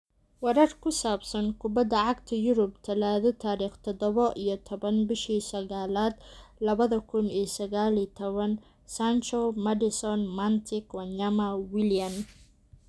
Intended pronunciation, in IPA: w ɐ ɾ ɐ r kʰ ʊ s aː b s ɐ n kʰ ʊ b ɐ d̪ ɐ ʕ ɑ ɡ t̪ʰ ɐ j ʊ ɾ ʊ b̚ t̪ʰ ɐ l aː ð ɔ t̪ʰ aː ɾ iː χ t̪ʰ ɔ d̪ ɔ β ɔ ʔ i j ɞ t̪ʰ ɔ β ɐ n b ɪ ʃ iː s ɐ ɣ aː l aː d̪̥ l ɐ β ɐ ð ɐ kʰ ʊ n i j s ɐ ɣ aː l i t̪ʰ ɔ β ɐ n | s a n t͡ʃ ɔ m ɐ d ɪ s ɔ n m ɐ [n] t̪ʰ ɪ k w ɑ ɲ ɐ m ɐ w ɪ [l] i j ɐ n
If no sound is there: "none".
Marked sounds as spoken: n, l

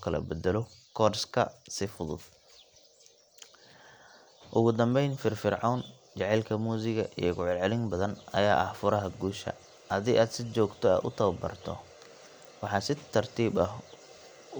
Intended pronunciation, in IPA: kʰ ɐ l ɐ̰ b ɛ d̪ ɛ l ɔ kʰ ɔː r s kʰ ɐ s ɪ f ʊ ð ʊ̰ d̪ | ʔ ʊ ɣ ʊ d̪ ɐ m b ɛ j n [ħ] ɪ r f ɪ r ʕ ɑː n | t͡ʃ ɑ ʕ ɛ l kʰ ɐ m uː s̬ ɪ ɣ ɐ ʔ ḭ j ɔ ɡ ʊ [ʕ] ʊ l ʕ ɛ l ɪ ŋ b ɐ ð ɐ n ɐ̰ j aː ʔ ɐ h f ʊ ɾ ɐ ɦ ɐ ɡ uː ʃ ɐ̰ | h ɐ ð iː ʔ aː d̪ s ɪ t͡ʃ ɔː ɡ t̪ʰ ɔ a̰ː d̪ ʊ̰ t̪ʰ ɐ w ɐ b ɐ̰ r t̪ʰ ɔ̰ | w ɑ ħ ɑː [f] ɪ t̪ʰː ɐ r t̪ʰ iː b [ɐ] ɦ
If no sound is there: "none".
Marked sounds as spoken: f, ʕ, s, ɐ

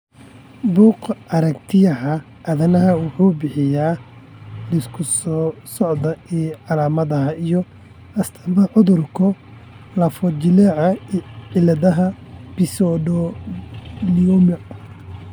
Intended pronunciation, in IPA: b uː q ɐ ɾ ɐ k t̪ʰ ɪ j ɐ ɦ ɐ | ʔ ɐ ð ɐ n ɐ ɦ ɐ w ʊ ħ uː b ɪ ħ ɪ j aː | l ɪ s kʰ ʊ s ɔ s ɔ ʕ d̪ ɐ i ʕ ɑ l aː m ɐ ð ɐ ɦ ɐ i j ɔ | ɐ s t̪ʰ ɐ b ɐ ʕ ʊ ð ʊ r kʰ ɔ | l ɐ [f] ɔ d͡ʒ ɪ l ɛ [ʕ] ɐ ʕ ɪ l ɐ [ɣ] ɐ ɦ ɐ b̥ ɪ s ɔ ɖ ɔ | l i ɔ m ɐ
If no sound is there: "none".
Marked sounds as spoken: f, ʕ, ð

